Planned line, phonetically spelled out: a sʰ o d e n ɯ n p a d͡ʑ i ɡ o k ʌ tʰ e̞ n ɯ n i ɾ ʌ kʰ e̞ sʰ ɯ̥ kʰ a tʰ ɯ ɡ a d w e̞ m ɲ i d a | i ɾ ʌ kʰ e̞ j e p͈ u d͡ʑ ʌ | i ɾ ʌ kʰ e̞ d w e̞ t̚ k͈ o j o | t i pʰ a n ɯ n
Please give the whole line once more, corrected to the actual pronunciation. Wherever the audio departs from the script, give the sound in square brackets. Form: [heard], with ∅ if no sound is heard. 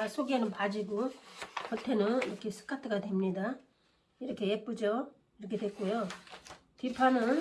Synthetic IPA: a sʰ o [ɡ] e n ɯ n p a d͡ʑ i ɡ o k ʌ tʰ e̞ n ɯ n i ɾ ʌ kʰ e̞ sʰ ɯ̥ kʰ a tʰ ɯ ɡ a d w e̞ m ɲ i d a | i ɾ ʌ kʰ e̞ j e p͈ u d͡ʑ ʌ | i ɾ ʌ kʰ e̞ d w e̞ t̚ k͈ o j o | t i pʰ a n ɯ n